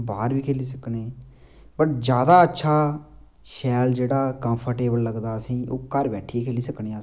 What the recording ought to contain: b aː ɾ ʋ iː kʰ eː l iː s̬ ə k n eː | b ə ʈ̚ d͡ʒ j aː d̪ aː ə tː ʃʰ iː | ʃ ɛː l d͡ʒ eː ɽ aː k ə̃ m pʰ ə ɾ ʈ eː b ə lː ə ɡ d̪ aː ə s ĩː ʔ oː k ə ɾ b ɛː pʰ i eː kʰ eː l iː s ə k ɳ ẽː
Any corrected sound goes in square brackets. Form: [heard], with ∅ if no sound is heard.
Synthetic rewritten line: b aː ɾ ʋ iː kʰ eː l iː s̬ ə k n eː | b ə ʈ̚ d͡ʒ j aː d̪ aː ə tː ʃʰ [aː] | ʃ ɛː l d͡ʒ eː ɽ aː k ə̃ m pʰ ə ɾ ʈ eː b ə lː ə ɡ d̪ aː ə s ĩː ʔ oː k ə ɾ b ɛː [ʈʰ] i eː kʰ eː l iː s ə k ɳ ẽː